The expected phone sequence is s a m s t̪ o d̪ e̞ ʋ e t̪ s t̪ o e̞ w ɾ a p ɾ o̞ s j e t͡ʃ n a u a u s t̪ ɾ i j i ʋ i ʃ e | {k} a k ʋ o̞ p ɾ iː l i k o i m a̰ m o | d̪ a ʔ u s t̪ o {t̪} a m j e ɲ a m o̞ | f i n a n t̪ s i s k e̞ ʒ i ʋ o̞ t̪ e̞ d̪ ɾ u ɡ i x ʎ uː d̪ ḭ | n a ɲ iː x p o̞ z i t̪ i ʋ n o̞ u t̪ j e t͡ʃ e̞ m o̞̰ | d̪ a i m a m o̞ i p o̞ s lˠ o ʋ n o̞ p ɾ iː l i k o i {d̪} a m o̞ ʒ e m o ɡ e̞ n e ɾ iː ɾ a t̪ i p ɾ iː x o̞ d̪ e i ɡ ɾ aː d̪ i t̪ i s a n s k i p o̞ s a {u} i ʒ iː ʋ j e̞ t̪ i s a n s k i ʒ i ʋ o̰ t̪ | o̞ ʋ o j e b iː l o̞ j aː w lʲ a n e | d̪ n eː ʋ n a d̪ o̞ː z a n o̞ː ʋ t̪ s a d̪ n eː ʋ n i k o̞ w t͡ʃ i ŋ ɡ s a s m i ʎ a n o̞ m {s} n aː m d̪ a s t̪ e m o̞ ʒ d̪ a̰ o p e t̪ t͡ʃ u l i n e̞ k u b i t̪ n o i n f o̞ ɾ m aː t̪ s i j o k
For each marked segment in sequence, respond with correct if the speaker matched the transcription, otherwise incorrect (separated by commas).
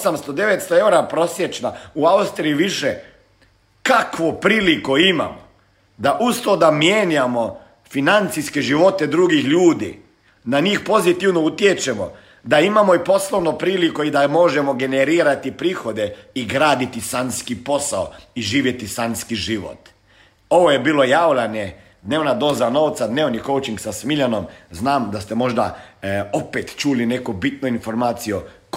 correct, incorrect, correct, incorrect, incorrect